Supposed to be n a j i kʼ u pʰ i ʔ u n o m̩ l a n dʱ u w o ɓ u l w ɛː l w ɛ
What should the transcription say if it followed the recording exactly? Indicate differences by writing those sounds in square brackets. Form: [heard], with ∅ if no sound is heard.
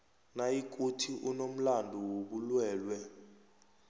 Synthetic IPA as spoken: n a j i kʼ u [tʰ] i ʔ u n o m̩ l a n dʱ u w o ɓ u l w ɛː l w ɛ